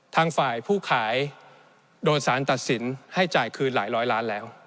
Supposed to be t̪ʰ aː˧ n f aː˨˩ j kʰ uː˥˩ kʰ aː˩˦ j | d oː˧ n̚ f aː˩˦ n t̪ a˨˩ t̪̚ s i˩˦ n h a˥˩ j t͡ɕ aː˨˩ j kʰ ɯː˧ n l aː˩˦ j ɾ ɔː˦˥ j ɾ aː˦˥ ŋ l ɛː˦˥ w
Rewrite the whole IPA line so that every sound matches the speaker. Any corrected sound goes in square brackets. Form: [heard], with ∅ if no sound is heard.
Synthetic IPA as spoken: t̪ʰ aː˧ [ŋ] f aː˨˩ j [pʰ] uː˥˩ kʰ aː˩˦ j | d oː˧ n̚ [s] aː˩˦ n t̪ a˨˩ t̪̚ s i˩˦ n h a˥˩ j t͡ɕ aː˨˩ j kʰ ɯː˧ n l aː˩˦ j ɾ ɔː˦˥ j [l] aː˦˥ [n] l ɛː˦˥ w

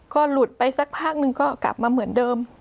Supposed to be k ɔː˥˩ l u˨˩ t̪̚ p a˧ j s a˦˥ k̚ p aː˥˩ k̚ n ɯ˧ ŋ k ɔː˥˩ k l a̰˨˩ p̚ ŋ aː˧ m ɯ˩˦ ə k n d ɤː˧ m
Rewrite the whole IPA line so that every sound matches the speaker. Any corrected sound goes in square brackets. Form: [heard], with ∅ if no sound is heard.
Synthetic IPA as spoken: k ɔː˥˩ l u˨˩ t̪̚ p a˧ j s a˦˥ k̚ [pʰ] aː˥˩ k̚ n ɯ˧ ŋ k ɔː˥˩ k l a̰˨˩ p̚ [m] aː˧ m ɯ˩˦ ə [∅] n d ɤː˧ m

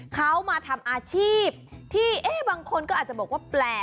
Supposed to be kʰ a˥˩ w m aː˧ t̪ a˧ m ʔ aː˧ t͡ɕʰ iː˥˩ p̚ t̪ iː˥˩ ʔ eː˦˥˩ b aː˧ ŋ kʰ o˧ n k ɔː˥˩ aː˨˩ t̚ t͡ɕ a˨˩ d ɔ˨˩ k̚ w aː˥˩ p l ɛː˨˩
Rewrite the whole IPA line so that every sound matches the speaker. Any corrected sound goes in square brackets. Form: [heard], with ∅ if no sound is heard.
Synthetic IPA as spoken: kʰ [a˦˥] w m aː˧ [t̪ʰ] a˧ m ʔ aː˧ t͡ɕʰ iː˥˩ p̚ [t̪ʰ] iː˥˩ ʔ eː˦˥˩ b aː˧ ŋ kʰ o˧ n k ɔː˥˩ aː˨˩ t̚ t͡ɕ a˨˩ [b] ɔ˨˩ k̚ w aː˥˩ p l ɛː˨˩

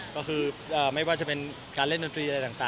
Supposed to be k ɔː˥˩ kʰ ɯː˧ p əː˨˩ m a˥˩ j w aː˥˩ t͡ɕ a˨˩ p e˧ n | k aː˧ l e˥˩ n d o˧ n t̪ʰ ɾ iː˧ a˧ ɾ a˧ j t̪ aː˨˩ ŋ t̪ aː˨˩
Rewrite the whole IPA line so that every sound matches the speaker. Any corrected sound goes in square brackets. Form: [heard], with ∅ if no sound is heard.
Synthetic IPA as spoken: k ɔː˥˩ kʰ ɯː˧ [ʔ] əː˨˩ m a˥˩ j w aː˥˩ t͡ɕ a˨˩ p e˧ n | k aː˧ l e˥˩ n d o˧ n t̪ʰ ɾ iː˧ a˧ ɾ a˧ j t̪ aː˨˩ ŋ t̪ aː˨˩

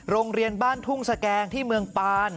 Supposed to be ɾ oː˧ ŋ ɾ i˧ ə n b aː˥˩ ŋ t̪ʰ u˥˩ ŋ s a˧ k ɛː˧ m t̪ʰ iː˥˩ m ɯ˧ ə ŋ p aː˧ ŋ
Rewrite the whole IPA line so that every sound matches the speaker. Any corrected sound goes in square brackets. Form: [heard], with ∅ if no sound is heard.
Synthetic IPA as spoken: ɾ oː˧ ŋ ɾ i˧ ə n b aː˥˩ [n] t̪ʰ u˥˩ ŋ s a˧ k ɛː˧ [ŋ] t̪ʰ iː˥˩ m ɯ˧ ə ŋ p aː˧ [n]

